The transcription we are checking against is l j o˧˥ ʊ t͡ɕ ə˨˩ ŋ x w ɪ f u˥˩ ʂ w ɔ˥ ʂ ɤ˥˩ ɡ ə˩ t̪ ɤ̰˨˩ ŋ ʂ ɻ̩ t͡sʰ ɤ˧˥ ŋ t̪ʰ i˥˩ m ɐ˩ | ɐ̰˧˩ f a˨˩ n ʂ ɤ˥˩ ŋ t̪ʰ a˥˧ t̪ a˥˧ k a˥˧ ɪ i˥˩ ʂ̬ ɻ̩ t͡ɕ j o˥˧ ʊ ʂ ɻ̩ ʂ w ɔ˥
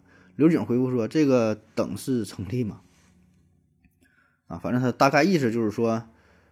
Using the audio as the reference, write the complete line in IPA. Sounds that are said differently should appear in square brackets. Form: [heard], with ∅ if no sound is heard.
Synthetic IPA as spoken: l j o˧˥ ʊ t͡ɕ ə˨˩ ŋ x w ɪ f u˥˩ ʂ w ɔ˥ [ʈ͡ʂ] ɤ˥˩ ɡ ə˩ t̪ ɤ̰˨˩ ŋ ʂ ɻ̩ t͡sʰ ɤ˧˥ ŋ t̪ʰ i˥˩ m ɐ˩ | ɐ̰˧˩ f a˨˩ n [ʈ͡ʂ] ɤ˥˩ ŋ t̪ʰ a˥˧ t̪ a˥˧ k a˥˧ ɪ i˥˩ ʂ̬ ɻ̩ t͡ɕ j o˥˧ ʊ ʂ ɻ̩ ʂ w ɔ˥